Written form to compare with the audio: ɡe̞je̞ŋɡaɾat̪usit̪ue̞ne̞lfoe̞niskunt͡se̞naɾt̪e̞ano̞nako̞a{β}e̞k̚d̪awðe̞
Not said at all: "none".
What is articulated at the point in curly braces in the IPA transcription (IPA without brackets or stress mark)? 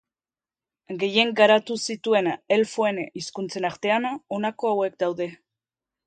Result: w